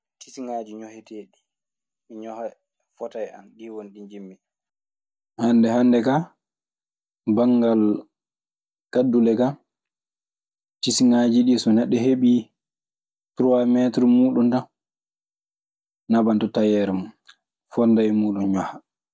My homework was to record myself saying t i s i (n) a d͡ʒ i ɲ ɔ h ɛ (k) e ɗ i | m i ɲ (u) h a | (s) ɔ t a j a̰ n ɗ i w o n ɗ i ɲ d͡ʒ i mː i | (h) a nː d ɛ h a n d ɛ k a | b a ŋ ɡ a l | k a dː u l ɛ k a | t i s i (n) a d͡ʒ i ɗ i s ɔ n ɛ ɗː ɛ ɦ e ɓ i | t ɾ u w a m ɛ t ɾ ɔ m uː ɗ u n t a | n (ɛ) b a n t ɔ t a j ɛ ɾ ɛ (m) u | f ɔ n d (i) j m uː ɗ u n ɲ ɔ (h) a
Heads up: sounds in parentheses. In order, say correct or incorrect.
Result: incorrect: ŋ, incorrect: t, incorrect: ɔ, incorrect: f, correct, incorrect: ŋ, incorrect: a, correct, incorrect: a, correct

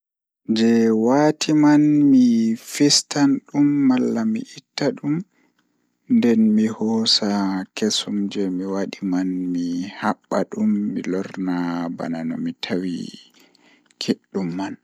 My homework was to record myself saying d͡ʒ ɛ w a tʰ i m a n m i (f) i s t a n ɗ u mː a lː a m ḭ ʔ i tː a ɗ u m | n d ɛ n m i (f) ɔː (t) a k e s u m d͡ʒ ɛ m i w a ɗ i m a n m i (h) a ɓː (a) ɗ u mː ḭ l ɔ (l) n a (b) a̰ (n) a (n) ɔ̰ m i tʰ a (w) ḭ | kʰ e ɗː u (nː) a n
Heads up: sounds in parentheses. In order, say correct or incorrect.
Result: correct, incorrect: h, incorrect: s, correct, correct, incorrect: ɾ, correct, correct, correct, correct, incorrect: mː

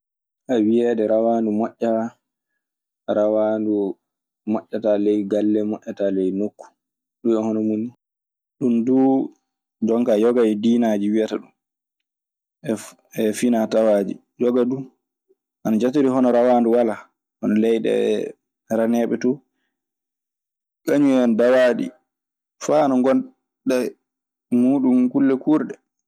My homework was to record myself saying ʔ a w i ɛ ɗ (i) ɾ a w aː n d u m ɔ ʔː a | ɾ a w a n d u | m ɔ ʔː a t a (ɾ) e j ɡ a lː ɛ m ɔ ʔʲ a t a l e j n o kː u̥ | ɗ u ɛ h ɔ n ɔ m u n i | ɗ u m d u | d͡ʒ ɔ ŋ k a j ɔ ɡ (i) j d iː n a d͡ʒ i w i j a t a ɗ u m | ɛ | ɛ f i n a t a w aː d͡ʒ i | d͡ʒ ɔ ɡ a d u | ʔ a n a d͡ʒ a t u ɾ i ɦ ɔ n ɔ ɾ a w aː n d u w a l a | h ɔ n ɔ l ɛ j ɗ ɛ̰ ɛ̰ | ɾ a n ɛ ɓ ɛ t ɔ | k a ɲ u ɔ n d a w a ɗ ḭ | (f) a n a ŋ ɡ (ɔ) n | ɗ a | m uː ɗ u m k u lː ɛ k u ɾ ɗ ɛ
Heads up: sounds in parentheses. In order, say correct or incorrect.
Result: incorrect: ɛ, incorrect: l, incorrect: a, correct, correct

